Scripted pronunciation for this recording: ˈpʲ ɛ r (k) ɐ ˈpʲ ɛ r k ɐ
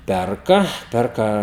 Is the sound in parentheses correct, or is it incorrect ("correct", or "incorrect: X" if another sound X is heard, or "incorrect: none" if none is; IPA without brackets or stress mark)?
correct